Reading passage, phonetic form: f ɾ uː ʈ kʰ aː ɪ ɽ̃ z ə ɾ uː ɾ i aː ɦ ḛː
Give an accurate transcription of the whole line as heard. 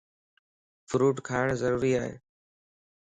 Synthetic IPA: f ɾ uː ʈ kʰ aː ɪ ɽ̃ z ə ɾ uː ɾ i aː ɦ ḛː

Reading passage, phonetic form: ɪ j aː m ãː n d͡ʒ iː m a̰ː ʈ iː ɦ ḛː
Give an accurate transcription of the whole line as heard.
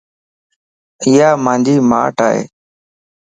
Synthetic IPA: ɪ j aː m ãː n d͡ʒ iː m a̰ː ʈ aː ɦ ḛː

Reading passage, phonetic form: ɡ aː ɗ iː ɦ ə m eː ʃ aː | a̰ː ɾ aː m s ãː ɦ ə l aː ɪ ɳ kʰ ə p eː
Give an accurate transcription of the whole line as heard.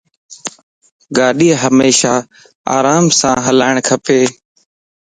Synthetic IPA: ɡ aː ɗ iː ɦ ə m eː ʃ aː | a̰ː ɾ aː m s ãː ɦ ə l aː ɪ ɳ kʰ ə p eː

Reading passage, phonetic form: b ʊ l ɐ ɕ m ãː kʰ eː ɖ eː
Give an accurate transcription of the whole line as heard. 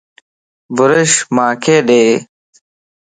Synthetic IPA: b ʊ ɾ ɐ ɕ m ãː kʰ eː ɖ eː

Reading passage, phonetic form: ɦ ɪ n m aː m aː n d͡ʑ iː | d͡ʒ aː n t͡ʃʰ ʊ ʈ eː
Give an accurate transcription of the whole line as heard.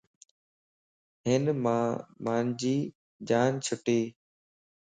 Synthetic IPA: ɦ ɪ n m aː m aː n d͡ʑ iː | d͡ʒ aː n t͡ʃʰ ʊ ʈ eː

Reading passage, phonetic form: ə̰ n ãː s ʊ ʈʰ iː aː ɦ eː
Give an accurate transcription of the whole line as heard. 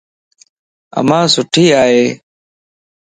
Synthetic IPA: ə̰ m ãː s ʊ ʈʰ iː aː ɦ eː

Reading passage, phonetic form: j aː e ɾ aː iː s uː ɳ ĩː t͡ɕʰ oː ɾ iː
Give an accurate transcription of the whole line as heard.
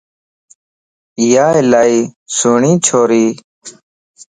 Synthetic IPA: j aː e l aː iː s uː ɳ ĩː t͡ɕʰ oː ɾ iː

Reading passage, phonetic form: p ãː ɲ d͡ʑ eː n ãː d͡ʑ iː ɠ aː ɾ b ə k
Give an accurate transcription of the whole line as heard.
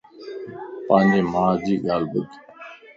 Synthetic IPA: p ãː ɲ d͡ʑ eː m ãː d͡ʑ iː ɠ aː l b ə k

